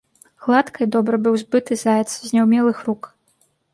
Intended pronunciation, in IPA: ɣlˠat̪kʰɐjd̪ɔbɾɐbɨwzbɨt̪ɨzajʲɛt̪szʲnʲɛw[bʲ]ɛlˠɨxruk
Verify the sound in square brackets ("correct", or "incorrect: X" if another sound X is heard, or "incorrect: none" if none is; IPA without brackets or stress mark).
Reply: incorrect: mʲ